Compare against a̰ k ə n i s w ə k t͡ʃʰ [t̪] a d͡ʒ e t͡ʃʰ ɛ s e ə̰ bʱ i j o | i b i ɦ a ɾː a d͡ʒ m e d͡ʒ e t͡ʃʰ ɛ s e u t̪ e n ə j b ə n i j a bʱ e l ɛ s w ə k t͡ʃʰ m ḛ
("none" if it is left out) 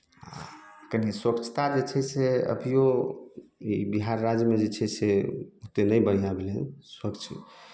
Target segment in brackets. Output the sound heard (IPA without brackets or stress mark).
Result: t̪